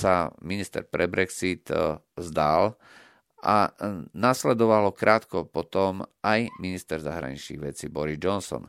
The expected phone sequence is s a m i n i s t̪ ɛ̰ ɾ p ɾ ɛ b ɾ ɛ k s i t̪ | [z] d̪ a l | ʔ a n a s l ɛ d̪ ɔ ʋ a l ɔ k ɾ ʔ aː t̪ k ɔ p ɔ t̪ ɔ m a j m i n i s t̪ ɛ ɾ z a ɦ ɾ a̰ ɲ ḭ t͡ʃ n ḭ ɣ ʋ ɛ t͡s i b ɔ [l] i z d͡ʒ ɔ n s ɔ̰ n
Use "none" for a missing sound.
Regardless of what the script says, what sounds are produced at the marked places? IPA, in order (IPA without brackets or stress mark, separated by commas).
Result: z, ɾ